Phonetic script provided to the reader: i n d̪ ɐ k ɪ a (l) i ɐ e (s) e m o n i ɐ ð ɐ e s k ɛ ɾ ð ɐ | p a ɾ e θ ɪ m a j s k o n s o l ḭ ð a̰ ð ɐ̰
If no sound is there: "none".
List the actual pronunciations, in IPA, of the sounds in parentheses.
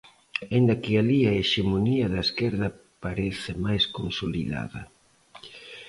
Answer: l, ʃ

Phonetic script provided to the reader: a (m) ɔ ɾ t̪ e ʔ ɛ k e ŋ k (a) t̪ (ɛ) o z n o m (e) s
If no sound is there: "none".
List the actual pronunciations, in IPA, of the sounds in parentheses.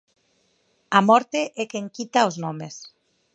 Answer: m, i, a, e

